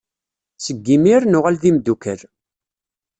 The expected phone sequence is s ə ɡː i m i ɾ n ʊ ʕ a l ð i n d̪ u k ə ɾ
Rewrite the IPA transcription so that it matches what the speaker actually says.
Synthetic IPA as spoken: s ə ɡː i m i ɾ n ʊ ʁ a l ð i m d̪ u k ə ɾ